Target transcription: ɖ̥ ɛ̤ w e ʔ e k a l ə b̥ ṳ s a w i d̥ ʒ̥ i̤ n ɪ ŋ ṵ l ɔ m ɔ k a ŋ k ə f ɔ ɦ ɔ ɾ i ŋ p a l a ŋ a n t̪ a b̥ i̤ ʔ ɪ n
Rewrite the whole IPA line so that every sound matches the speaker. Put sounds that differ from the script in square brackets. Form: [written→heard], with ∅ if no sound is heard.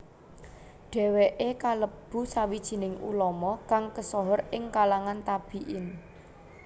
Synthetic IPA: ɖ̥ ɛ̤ w e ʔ e k a l ə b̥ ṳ s a w i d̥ ʒ̥ i̤ n ɪ ŋ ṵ l ɔ m ɔ k a ŋ k ə [f→s] ɔ ɦ ɔ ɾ [i→ɪ] ŋ [p→k] a l a ŋ a n t̪ a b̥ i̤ ʔ ɪ n